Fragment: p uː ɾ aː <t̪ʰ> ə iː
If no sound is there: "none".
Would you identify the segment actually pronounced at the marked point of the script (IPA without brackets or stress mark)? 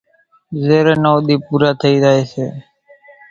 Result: t̪ʰ